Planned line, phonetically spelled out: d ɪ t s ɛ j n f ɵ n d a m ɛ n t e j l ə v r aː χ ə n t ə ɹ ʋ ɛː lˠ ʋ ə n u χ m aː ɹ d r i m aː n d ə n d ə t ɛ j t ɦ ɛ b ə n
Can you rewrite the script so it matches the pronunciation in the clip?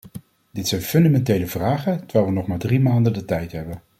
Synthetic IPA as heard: d ɪ t s ɛ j n f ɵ n d a m ɛ n t e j l ə v r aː χ ə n t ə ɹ ʋ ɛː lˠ ʋ ə n ɔ χ m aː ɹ d r i m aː n d ə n d ə t ɛ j t ɦ ɛ b ə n